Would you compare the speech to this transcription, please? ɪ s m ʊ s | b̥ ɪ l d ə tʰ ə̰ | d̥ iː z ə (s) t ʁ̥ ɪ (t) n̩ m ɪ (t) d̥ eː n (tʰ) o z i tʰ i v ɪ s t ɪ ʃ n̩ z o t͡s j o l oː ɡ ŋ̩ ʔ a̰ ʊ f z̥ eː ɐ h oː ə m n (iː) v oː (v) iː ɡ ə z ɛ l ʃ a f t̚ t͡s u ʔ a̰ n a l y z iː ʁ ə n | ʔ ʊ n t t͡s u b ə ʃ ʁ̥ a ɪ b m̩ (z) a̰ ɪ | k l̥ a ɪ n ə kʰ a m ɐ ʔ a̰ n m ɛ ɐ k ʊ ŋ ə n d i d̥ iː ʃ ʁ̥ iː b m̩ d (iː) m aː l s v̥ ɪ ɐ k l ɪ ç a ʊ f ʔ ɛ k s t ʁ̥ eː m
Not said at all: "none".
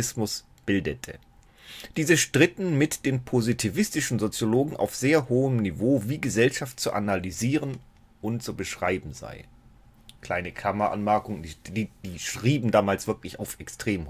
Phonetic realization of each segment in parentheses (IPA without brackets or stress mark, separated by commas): ʃ, t, t, pʰ, i, v, z, aː